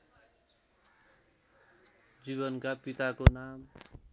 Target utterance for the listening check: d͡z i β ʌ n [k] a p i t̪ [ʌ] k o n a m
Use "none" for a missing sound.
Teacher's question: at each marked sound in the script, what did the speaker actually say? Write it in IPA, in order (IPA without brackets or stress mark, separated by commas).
k, a